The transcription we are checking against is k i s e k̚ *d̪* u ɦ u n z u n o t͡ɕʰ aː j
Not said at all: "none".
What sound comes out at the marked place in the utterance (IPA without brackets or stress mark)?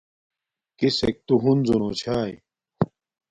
t̪